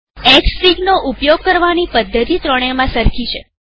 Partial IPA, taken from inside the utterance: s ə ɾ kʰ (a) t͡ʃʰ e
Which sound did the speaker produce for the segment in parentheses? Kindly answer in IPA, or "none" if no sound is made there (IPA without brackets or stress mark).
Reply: i